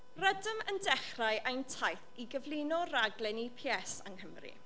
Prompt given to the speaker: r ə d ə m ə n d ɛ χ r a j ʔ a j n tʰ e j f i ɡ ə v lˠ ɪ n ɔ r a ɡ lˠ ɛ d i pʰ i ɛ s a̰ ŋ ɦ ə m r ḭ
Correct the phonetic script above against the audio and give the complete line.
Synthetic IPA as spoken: r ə d ə m ə n d ɛ χ r a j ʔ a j n tʰ a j θ i ɡ ə v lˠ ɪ n ɔ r a ɡ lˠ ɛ n i pʰ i ɛ s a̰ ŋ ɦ ə m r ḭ